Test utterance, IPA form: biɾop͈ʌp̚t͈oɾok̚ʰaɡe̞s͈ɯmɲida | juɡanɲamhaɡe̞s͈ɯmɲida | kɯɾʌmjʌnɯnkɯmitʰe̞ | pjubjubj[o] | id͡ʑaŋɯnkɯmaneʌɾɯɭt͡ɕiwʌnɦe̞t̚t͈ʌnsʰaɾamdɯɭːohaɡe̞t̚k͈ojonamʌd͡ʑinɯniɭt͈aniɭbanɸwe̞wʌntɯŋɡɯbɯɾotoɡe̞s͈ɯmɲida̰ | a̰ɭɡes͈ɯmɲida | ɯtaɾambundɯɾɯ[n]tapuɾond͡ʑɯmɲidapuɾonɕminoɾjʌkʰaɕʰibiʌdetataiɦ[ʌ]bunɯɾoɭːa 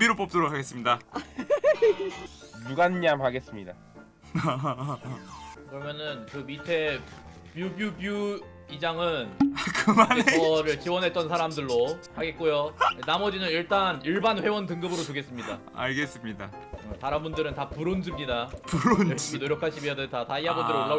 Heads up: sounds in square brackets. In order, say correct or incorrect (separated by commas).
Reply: incorrect, correct, incorrect